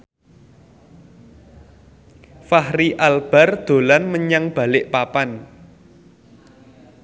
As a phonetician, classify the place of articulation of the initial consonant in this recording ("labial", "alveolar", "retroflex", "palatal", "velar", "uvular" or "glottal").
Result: labial